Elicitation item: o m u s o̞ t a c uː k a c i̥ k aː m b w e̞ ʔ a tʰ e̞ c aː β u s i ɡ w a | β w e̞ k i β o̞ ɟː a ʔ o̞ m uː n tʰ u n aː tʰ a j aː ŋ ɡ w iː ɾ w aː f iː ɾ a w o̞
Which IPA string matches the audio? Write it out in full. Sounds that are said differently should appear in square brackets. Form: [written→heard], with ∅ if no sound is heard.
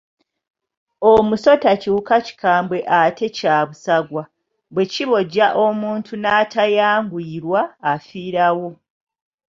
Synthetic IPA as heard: o m u s o̞ t a c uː k a c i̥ k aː m b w e̞ ʔ a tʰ e̞ c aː β u s [i→a] ɡ w a | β w e̞ [k→c] i β o̞ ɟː a ʔ o̞ m uː n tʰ u n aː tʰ a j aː ŋ ɡ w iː ɾ w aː f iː ɾ a w o̞